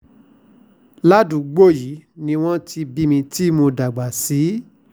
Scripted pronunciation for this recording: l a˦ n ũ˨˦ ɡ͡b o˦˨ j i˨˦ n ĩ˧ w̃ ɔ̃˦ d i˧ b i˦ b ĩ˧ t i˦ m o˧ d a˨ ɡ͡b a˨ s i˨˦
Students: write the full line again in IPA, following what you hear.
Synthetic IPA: l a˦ d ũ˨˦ ɡ͡b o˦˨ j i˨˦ n ĩ˧ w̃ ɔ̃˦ t i˧ b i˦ m ĩ˧ t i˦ m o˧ d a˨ ɡ͡b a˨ s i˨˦